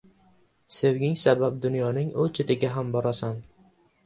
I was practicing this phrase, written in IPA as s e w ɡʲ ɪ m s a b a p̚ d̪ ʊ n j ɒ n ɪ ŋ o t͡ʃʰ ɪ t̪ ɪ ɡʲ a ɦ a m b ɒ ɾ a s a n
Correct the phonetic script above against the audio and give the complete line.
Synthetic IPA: s e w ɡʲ ɪ ŋ s a b a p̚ d̪ ʊ n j ɒ n ɪ ŋ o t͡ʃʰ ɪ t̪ ɪ ɡʲ a ɦ a m b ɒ ɾ a s a n